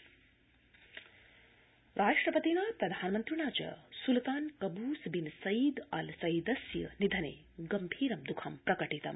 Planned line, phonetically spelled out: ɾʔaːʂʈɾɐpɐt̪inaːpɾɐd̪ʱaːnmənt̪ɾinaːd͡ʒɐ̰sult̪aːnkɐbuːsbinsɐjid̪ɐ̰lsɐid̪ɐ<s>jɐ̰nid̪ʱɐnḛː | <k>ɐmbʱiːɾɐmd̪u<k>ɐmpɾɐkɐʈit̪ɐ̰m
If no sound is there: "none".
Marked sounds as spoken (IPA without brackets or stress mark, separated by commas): s, ɡ, kʰ